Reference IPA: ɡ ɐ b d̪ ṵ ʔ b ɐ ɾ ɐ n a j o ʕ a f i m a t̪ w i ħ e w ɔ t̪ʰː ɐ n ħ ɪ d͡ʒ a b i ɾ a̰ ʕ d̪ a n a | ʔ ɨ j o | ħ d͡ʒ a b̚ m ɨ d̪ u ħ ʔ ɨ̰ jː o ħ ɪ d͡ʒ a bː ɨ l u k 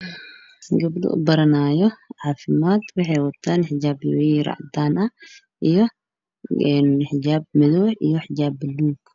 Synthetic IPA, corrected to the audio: ɡ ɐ b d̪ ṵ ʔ b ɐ ɾ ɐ n a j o ʕ a f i m a t̪ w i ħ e w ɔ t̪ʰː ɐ n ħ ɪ d͡ʒ a b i ɾ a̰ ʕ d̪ a n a | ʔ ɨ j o | ħ d͡ʒ a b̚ m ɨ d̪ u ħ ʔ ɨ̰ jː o ħ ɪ d͡ʒ a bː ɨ l u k